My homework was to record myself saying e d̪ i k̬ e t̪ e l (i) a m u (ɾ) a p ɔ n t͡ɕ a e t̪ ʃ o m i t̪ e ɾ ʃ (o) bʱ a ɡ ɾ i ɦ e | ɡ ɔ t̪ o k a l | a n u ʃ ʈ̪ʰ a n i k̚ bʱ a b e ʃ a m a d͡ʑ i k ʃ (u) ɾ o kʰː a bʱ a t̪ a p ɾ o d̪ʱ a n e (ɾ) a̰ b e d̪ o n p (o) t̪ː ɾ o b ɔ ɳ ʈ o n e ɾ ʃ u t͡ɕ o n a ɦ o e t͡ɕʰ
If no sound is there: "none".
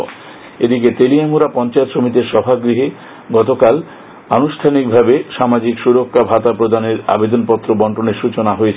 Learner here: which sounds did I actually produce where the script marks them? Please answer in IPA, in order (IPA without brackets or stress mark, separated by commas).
i, ɾ, ɔ, u, ɾ, ɔ